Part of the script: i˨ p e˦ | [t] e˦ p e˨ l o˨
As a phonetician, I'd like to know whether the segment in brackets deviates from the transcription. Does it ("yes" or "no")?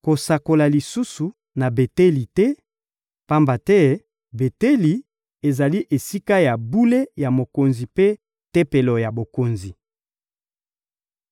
no